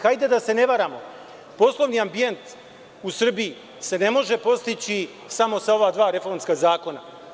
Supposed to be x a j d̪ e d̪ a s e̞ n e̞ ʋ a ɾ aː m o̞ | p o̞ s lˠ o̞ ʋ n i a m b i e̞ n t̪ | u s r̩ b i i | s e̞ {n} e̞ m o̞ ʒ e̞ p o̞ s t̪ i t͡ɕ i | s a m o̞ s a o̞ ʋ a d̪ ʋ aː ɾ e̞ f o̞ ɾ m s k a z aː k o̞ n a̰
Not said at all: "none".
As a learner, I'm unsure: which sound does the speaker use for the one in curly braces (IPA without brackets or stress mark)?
n